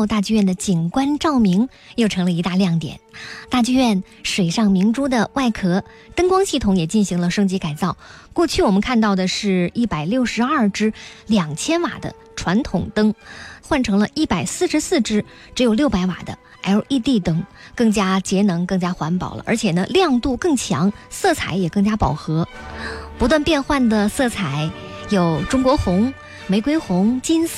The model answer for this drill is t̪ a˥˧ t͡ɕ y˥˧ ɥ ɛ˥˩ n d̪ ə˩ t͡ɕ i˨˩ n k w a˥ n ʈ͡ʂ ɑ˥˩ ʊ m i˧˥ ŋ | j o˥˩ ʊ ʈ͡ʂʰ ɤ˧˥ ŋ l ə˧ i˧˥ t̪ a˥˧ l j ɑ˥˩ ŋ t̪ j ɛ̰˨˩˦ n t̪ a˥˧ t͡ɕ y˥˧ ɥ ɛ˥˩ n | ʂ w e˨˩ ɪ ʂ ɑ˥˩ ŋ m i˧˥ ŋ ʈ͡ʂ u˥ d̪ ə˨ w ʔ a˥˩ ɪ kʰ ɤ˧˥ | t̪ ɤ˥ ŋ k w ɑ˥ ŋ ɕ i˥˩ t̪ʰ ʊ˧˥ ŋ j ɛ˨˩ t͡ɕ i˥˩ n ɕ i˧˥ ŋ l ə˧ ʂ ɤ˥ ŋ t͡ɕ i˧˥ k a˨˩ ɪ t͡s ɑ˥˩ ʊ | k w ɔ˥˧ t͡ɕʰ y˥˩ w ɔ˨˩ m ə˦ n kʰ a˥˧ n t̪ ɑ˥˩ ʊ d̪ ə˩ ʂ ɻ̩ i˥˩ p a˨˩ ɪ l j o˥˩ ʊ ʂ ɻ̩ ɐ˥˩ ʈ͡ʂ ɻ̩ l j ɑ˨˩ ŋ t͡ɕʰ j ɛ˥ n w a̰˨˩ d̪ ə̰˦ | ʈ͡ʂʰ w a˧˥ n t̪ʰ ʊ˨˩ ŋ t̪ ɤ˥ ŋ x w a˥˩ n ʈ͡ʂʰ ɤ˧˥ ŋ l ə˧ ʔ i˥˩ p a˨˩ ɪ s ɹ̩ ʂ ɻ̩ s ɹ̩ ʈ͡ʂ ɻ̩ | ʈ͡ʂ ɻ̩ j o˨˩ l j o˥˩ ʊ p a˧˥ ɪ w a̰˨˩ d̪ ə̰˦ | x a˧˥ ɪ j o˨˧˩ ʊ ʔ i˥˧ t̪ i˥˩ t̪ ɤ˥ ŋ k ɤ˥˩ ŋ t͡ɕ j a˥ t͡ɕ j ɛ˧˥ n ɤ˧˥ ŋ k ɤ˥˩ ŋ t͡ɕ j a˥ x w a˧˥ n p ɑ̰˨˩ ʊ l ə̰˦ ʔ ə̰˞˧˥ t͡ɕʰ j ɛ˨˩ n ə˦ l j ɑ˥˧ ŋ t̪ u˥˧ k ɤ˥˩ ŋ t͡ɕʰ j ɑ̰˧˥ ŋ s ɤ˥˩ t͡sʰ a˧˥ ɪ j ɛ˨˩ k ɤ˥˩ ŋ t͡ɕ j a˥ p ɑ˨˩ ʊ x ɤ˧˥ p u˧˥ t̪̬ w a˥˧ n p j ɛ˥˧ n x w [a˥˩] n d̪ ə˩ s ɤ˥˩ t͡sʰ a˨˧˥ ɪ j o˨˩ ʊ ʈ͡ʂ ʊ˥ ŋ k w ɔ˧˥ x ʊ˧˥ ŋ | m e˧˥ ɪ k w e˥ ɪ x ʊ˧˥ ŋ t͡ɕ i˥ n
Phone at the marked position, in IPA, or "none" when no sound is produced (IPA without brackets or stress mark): a˥˩